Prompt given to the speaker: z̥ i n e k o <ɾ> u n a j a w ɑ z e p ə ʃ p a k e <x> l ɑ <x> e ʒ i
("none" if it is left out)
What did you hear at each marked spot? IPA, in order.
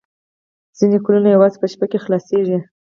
l, x, s

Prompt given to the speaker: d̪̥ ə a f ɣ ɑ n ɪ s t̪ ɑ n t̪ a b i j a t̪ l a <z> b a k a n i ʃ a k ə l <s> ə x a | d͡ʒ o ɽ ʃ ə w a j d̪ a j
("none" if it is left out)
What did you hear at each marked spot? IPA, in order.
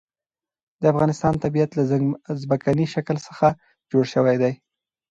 z, s

